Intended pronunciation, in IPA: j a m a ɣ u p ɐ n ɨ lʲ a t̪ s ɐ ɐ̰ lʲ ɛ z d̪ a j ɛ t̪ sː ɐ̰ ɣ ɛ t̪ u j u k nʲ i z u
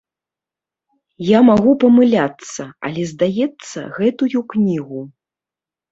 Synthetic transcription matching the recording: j a m a ɣ u p ɐ m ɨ lʲ a t̪ s ɐ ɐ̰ lʲ ɛ z d̪ a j ɛ t̪ sː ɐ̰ ɣ ɛ t̪ u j u k nʲ i ɣ u